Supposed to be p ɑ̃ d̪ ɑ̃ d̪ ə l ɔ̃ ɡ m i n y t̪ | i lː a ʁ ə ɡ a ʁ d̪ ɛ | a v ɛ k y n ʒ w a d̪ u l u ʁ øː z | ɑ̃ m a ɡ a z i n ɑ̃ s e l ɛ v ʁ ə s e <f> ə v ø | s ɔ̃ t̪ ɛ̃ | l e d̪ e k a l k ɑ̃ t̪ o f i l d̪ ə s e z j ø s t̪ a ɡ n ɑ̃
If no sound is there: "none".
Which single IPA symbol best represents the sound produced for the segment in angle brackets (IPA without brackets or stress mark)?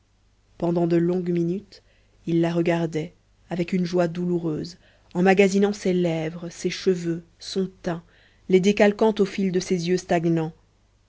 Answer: ʃ